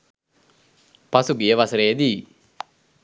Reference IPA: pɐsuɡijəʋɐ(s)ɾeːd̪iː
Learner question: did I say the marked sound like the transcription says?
yes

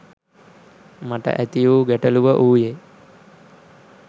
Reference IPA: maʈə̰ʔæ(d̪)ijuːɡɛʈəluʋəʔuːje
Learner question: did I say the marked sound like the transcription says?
no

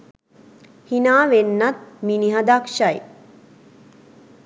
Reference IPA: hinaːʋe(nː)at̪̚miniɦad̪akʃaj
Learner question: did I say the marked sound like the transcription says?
yes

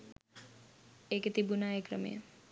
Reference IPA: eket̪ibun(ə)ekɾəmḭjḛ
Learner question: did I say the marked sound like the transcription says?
no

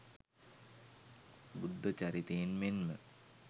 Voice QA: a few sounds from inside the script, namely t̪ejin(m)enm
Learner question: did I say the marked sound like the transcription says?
yes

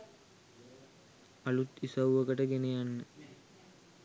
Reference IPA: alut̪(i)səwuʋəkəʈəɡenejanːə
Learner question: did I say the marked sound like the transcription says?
yes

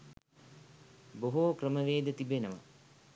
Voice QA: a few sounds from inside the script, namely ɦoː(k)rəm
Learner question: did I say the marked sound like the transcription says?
yes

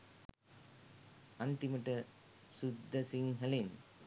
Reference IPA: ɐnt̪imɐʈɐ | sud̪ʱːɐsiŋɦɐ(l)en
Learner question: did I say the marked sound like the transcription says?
yes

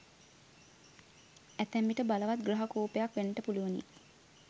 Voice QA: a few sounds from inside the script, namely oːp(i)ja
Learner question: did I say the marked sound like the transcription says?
no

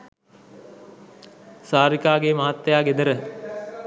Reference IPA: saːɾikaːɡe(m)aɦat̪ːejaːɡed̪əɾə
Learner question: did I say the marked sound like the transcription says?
yes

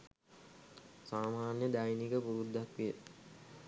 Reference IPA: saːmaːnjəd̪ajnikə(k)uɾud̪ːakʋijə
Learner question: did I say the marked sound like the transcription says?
no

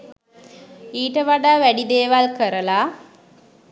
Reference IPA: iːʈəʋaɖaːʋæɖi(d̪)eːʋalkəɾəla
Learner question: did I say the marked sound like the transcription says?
yes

